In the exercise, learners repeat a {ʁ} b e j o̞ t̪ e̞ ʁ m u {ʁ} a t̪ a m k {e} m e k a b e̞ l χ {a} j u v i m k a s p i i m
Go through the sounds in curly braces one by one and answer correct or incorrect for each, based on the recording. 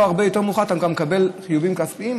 correct, incorrect: χ, incorrect: a, incorrect: i

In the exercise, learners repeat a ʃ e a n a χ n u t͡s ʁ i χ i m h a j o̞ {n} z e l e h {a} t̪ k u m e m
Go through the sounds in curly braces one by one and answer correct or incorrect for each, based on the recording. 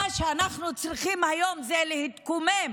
incorrect: m, incorrect: i

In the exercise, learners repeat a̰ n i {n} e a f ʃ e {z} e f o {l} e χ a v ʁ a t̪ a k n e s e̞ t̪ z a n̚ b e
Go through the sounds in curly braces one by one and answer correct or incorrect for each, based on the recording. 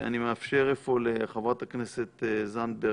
incorrect: m, incorrect: ʁ, correct

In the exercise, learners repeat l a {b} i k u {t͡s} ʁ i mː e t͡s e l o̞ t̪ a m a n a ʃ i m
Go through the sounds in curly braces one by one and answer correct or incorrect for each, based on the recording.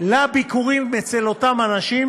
correct, incorrect: none

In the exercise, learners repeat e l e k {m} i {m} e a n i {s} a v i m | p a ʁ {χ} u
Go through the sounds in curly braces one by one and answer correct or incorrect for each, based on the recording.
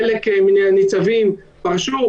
correct, incorrect: n, incorrect: t͡s, incorrect: ʃ

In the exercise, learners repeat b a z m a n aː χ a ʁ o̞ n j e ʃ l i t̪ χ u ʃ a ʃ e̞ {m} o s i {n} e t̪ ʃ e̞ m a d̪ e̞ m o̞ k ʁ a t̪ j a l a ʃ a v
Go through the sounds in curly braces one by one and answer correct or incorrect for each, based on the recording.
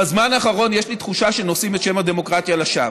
incorrect: n, incorrect: m

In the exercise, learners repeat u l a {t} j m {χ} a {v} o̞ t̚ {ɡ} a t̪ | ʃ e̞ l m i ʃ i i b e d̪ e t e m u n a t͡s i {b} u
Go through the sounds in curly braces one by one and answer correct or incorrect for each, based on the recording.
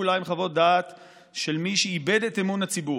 incorrect: none, correct, correct, incorrect: d, correct

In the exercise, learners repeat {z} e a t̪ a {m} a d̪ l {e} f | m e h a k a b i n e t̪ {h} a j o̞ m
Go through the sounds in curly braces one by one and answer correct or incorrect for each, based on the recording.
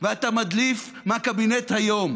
incorrect: v, correct, incorrect: i, correct

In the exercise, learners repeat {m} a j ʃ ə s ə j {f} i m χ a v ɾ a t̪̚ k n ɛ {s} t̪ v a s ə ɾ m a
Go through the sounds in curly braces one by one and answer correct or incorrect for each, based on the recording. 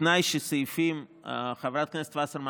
incorrect: n, correct, correct

